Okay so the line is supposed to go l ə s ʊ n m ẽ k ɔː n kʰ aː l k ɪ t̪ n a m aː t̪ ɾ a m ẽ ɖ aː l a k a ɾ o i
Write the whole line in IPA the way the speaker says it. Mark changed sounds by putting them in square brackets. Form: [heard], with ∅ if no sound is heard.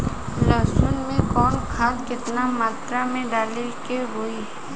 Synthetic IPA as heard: l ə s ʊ n m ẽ k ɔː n kʰ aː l k ɪ t̪ n a m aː t̪ ɾ a m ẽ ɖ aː l [e] k [e] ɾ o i

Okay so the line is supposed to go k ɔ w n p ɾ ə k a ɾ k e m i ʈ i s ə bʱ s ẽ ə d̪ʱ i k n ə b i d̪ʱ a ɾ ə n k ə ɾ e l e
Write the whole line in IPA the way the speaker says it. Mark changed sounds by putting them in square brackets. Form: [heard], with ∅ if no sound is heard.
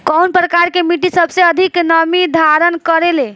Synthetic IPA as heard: k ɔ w n p ɾ ə k a ɾ k e m i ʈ i s ə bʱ s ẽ ə d̪ʱ i k n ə [m] i d̪ʱ a ɾ ə n k ə ɾ e l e

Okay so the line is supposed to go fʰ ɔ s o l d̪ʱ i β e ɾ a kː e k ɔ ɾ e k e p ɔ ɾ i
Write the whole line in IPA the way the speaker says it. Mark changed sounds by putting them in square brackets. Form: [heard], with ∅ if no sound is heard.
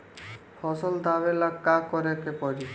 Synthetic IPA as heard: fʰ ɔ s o l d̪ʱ [a] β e [l] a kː [a] k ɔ ɾ e k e p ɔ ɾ i

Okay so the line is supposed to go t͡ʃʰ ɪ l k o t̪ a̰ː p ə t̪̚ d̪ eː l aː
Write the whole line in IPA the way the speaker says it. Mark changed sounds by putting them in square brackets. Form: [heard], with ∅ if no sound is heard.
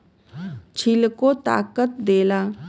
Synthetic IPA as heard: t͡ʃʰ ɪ l k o t̪ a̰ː [k] ə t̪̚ d̪ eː l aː

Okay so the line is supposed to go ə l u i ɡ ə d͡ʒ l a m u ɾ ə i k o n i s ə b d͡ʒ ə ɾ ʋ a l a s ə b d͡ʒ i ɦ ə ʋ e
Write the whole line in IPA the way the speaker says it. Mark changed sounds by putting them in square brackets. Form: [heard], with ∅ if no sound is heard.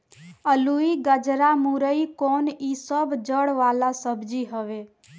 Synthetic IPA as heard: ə l u i ɡ ə d͡ʒ [ɾ] a m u ɾ ə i k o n i s ə b d͡ʒ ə [ɽ] ʋ a l a s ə b d͡ʒ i ɦ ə ʋ e

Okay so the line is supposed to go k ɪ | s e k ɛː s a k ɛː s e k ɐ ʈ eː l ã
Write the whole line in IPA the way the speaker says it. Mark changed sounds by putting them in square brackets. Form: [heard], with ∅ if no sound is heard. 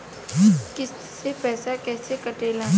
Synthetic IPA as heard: k ɪ | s e [p] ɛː s a k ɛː s e k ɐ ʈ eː l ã

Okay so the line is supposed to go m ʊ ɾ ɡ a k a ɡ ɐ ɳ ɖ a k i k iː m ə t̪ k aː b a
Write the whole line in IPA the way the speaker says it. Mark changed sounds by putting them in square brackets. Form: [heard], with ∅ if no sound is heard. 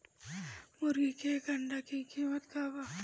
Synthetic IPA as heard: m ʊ ɾ ɡ [i] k [e] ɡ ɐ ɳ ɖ a k i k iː m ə t̪ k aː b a

